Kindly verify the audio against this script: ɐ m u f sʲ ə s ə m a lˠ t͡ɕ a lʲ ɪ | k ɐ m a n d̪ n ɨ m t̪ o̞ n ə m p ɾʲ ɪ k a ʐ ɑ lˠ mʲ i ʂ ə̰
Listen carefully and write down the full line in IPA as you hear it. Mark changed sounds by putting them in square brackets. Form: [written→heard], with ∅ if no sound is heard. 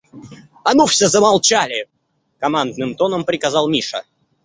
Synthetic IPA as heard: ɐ [m→n] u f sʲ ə [s→z] ə m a lˠ t͡ɕ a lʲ ɪ | k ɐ m a n d̪ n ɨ m t̪ o̞ n ə m p ɾʲ ɪ k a [ʐ→z] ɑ lˠ mʲ i ʂ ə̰